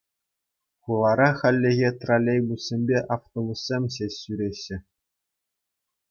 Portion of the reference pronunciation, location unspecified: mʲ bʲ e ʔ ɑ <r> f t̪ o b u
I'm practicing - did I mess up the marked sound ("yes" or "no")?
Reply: yes